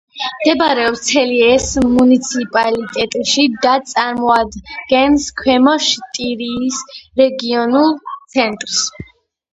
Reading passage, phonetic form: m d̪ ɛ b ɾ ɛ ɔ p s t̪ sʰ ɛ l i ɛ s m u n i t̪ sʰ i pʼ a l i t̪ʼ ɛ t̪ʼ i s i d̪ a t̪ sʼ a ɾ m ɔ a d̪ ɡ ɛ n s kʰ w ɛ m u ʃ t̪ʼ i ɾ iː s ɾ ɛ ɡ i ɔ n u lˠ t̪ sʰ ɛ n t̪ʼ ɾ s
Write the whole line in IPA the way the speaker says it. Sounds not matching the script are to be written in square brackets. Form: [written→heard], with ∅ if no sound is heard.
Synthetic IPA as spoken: m d̪ ɛ b ɾ ɛ ɔ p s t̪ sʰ ɛ l i ɛ s m u n i t̪ sʰ i pʼ a l i t̪ʼ ɛ t̪ʼ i [s→ʃ] i d̪ a t̪ sʼ a ɾ m ɔ a d̪ ɡ ɛ n s kʰ w ɛ m [u→ɔ] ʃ t̪ʼ i ɾ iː s ɾ ɛ ɡ i ɔ n u lˠ t̪ sʰ ɛ n t̪ʼ ɾ s